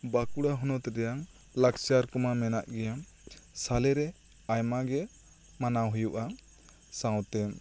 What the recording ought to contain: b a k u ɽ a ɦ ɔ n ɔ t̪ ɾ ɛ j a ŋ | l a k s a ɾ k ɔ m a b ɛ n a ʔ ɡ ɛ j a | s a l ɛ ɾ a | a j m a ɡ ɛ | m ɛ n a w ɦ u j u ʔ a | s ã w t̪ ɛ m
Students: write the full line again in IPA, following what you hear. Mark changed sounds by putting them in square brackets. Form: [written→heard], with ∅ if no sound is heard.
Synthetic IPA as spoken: b a k u ɽ a ɦ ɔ n ɔ t̪ ɾ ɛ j a ŋ | l a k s a ɾ k ɔ m a [b→m] ɛ n a ʔ ɡ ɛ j a | s a l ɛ ɾ [a→ɛ] | a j m a ɡ ɛ | m [ɛ→a] n a w ɦ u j u ʔ a | s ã w t̪ ɛ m